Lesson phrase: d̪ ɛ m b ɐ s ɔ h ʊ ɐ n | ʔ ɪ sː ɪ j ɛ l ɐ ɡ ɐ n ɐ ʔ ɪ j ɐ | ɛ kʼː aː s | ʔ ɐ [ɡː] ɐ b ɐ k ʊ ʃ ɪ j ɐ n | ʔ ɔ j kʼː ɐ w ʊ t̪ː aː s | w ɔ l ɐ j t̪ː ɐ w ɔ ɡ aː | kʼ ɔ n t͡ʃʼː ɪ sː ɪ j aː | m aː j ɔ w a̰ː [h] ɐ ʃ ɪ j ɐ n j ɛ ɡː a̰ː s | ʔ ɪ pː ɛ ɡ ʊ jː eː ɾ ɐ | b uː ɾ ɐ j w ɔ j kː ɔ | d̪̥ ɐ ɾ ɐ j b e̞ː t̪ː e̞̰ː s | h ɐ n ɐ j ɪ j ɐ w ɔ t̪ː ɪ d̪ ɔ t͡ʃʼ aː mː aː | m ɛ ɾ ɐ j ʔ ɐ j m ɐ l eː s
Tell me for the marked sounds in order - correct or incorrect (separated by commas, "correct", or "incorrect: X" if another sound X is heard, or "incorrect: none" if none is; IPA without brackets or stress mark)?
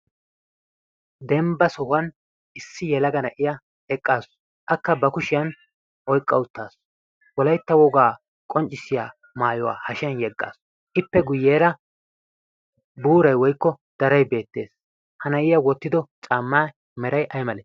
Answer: incorrect: kː, correct